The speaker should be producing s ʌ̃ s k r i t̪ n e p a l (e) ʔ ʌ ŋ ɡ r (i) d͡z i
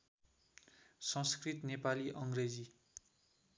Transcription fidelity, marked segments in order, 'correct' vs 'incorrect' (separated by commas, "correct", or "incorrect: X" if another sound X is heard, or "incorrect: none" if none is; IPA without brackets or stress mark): incorrect: i, incorrect: e